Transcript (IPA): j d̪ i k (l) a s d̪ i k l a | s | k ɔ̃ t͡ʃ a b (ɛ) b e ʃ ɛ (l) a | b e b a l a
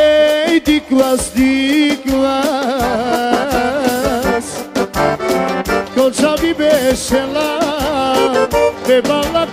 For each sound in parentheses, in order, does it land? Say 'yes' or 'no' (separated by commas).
yes, no, yes